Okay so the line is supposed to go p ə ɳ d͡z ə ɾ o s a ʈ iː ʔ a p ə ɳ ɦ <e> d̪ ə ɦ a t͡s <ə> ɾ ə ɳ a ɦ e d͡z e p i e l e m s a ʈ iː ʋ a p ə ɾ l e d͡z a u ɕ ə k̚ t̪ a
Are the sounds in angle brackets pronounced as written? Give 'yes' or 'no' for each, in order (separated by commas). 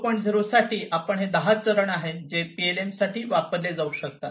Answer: yes, yes